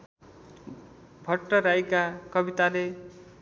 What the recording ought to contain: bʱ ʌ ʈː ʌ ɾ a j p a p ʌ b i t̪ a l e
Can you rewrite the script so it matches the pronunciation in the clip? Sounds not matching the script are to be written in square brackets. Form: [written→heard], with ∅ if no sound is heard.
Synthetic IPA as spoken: bʱ ʌ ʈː ʌ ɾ a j [p→k] a [p→k] ʌ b i t̪ a l e